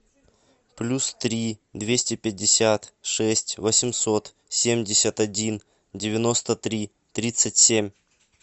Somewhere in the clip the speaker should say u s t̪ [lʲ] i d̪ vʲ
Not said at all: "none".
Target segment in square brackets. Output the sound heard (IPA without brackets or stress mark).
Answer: ɾʲ